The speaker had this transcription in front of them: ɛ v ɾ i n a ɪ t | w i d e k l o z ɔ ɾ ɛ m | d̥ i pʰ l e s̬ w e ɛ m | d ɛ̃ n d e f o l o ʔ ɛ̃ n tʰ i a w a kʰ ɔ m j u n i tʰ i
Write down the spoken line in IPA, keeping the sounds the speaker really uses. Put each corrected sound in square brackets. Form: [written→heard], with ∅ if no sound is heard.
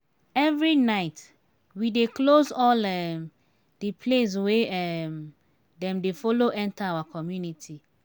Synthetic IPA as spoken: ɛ v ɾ i n a ɪ t | w i d e k l o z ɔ [ɾ→l] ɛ m | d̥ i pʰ l e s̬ w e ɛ m | d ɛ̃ [n→m] d e f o l o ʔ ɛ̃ n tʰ [i→a] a w a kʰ ɔ m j u n i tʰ i